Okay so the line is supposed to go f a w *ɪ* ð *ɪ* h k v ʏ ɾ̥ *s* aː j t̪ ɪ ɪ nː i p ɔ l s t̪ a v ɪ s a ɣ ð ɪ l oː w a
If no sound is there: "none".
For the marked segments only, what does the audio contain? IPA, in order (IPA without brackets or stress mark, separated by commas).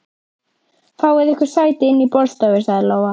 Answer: ɪ, ɪ, s